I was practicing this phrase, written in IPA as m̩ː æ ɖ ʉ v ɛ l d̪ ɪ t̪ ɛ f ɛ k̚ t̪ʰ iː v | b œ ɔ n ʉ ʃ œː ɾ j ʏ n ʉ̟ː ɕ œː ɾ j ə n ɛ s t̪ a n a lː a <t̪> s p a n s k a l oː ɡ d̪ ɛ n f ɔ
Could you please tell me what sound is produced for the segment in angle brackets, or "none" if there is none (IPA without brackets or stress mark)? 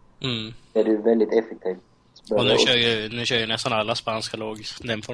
none